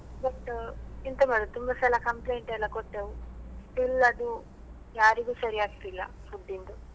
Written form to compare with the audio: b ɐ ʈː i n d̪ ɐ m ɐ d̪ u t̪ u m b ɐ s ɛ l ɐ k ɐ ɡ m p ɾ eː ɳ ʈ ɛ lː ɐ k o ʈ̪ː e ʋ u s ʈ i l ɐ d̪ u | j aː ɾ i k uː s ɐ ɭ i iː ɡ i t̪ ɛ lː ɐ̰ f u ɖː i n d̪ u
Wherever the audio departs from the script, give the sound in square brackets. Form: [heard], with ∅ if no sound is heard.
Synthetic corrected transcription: b ɐ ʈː i n [t̪] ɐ m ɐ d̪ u t̪ u m b ɐ s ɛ l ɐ k ɐ [∅] m p [l] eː ɳ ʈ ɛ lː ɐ k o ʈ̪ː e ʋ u s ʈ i l ɐ d̪ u | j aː ɾ i [ɡ] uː s ɐ [ɾ] i [aː] ɡ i t̪ [i] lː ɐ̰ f u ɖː i n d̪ u

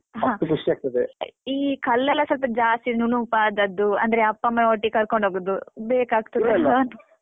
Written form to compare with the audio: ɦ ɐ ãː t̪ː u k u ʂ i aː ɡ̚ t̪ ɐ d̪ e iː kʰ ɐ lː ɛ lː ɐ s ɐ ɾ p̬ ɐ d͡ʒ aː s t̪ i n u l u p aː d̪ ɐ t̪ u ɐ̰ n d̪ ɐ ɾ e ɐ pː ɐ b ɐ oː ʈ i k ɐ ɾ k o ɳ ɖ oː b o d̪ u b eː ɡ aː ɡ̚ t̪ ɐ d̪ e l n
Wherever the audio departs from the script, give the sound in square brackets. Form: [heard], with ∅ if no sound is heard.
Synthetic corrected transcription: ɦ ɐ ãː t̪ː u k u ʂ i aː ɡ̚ t̪ ɐ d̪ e iː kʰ ɐ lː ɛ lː ɐ s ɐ [l] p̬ ɐ d͡ʒ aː s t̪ i n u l u p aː d̪ ɐ [d̪] u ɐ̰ n d̪ ɐ ɾ e ɐ pː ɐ [m] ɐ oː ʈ i k ɐ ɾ k o ɳ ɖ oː [ɡ] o d̪ u b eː [k] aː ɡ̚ t̪ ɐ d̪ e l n

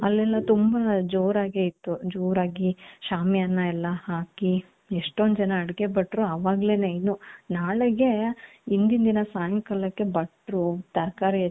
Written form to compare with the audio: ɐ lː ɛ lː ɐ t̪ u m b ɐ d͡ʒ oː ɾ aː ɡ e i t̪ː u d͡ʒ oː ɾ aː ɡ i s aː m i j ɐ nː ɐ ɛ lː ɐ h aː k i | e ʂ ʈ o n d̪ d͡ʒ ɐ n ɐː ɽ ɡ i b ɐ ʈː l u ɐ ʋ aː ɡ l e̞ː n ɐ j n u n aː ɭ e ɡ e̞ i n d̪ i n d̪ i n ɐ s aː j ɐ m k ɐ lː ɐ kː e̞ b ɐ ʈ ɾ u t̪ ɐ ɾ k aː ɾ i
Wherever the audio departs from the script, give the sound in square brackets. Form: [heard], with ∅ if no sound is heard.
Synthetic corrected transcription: ɐ lː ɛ lː ɐ t̪ u m b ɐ d͡ʒ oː ɾ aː ɡ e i t̪ː u d͡ʒ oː ɾ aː ɡ i [ʃ] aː m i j ɐ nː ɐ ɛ lː ɐ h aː k i | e ʂ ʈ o n d̪ d͡ʒ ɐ n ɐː ɽ ɡ [e] b ɐ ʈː [ɾ] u ɐ ʋ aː ɡ l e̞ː n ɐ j n u n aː ɭ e ɡ e̞ i n d̪ i n d̪ i n ɐ s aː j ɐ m k ɐ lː ɐ kː e̞ b ɐ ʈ ɾ u t̪ ɐ ɾ k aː ɾ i

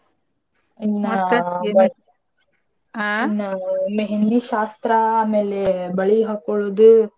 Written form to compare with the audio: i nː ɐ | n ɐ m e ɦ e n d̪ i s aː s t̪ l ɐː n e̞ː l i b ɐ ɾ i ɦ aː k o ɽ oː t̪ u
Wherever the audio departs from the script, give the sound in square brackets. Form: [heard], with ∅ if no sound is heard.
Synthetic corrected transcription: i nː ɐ | n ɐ m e ɦ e n d̪ i [ʃ] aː s t̪ [ɾ] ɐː [m] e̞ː l [e] b ɐ [ɭ] i ɦ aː k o [ɭ] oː [d̪] u

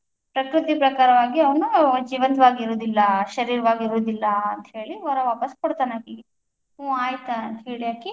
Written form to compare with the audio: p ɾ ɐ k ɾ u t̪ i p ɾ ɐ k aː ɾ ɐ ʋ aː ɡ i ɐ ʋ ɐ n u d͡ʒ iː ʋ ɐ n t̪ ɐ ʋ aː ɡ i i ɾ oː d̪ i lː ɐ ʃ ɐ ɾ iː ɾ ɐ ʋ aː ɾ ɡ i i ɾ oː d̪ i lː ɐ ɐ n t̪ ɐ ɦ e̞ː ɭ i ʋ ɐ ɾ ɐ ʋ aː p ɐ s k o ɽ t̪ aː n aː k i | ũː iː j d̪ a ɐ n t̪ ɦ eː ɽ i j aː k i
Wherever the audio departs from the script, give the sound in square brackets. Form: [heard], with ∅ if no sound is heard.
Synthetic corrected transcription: p ɾ ɐ k ɾ u t̪ i p ɾ ɐ k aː ɾ ɐ ʋ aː ɡ i ɐ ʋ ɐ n u d͡ʒ iː ʋ ɐ n t̪ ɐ ʋ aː ɡ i i ɾ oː d̪ i lː ɐ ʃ ɐ ɾ iː ɾ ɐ ʋ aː [∅] ɡ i i ɾ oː d̪ i lː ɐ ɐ n t̪ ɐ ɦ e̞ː ɭ i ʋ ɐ ɾ ɐ ʋ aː p ɐ s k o ɽ t̪ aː n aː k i | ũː [aː] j [t̪] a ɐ n t̪ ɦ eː [ɭ] i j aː k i

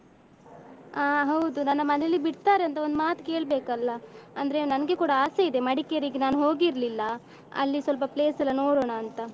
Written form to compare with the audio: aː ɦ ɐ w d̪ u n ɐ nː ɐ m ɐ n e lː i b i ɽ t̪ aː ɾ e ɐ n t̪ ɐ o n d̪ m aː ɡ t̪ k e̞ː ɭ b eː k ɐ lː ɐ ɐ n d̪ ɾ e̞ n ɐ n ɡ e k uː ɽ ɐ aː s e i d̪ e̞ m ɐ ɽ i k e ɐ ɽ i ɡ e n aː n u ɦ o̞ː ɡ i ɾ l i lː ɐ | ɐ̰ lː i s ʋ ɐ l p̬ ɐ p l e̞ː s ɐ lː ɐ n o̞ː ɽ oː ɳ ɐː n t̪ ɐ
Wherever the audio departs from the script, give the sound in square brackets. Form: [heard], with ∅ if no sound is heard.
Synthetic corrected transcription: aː ɦ ɐ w d̪ u n ɐ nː ɐ m ɐ n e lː i b i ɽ t̪ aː ɾ e ɐ n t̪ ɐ o n d̪ m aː [∅] t̪ k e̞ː ɭ b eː k ɐ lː ɐ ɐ n d̪ ɾ e̞ n ɐ n ɡ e k uː ɽ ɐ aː s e i d̪ e̞ m ɐ ɽ i k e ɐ [ɾ] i ɡ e n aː n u ɦ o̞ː ɡ i ɾ l i lː ɐ | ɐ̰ lː i s ʋ ɐ l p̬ ɐ p l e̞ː s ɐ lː ɐ n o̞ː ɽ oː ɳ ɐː n t̪ ɐ

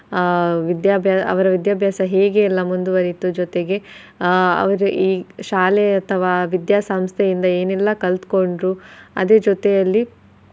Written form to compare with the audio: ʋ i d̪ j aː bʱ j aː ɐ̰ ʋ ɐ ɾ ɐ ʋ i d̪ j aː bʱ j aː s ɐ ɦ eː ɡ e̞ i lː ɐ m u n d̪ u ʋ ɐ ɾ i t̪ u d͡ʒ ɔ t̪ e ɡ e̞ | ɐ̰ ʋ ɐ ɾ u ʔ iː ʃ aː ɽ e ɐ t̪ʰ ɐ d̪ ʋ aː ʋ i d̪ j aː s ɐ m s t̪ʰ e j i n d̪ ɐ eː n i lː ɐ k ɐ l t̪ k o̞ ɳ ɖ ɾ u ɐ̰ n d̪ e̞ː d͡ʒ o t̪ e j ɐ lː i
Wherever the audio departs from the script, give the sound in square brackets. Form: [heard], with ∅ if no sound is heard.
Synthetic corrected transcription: ʋ i d̪ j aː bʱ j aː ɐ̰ ʋ ɐ ɾ ɐ ʋ i d̪ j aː bʱ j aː s ɐ ɦ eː ɡ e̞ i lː ɐ m u n d̪ u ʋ ɐ ɾ i t̪ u d͡ʒ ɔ t̪ e ɡ e̞ | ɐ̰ ʋ ɐ ɾ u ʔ iː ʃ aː [l] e ɐ t̪ʰ ɐ [∅] ʋ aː ʋ i d̪ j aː s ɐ m s t̪ʰ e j i n d̪ ɐ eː n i lː ɐ k ɐ l t̪ k o̞ ɳ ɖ ɾ u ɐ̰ [∅] d̪ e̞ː d͡ʒ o t̪ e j ɐ lː i

